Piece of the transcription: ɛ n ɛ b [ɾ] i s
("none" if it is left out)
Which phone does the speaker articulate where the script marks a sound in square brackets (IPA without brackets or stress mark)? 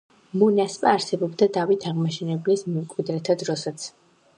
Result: l